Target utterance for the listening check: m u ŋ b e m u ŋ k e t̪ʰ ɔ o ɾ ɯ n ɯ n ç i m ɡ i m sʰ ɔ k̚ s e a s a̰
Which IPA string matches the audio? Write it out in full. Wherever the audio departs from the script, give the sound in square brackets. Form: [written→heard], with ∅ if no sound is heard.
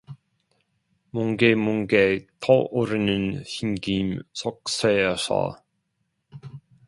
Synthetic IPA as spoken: m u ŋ [b→ɡ] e m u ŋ [k→ɡ] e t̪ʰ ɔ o ɾ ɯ n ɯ n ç i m ɡ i m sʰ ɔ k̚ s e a s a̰